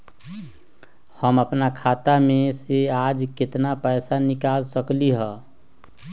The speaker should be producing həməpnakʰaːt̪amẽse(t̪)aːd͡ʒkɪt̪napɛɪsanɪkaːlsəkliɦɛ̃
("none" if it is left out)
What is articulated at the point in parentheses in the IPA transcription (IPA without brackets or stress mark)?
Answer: none